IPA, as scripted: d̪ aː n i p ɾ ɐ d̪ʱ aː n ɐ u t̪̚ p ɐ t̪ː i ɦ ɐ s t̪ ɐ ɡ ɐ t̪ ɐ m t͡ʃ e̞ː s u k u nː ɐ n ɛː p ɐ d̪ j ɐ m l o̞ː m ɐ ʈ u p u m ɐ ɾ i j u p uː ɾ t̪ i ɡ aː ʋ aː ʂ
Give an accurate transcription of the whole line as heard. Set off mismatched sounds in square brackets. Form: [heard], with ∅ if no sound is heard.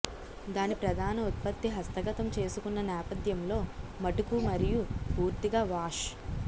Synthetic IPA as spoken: d̪ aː n i p ɾ ɐ d̪ʱ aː n ɐ u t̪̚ p ɐ t̪ː i ɦ ɐ s t̪ ɐ ɡ ɐ t̪ ɐ m t͡ʃ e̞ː s u k u nː ɐ n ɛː p ɐ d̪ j ɐ m l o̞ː m ɐ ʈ u [k] u m ɐ ɾ i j u p uː ɾ t̪ i ɡ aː ʋ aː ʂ